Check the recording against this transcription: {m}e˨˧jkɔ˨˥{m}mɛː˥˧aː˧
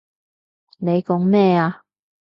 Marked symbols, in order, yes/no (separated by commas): no, no